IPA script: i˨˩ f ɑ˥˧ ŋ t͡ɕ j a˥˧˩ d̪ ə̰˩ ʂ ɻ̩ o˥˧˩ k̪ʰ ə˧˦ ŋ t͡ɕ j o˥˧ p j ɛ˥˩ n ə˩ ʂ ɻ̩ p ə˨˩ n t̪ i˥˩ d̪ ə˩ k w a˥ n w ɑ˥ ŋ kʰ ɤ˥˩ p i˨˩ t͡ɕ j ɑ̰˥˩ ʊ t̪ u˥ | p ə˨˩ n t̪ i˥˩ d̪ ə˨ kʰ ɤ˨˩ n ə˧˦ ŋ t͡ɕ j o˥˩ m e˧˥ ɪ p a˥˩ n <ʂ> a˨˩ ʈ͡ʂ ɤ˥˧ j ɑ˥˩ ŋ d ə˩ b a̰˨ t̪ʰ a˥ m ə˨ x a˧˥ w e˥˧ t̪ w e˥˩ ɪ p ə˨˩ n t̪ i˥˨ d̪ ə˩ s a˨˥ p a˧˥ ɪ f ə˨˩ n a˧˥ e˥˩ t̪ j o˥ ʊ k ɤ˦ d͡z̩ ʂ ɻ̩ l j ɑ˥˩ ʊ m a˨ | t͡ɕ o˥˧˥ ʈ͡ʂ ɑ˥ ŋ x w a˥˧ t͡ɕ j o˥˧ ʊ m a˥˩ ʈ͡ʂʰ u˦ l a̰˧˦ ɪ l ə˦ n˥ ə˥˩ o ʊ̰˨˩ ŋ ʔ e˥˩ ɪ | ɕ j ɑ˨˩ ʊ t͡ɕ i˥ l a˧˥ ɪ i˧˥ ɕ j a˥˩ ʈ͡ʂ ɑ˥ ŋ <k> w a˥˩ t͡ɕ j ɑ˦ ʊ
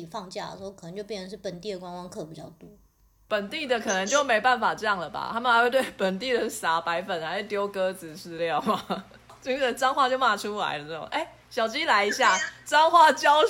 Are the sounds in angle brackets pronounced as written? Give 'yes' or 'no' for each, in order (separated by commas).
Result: no, no